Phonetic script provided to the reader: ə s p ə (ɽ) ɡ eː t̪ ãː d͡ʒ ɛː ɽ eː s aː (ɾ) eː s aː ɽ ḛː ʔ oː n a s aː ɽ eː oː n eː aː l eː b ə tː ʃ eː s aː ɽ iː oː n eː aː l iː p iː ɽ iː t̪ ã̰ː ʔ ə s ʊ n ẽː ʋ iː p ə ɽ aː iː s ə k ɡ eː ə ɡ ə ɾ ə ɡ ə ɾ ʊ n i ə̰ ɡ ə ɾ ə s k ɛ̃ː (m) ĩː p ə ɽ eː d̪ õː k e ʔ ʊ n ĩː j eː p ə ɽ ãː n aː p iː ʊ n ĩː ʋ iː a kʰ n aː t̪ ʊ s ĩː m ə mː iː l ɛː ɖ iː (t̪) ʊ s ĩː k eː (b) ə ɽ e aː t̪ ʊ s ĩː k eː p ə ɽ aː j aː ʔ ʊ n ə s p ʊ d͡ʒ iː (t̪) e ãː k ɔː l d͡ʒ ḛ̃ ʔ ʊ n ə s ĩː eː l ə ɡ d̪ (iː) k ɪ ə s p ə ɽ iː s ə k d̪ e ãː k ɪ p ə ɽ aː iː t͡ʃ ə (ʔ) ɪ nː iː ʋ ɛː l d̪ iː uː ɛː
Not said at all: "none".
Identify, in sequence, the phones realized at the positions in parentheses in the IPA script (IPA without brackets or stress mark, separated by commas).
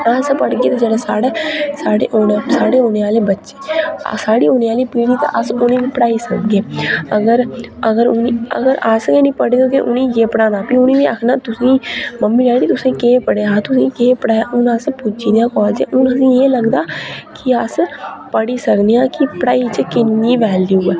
ɽ, ɽ, n, t̪, p, d̪, aː, k